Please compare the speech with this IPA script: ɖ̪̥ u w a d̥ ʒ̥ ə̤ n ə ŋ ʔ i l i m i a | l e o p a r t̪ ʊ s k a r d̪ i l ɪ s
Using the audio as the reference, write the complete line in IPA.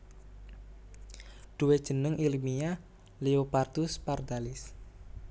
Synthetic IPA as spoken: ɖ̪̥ u w e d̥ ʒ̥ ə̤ n ə ŋ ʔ i l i m i a | l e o p a r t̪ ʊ s p a r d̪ a l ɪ s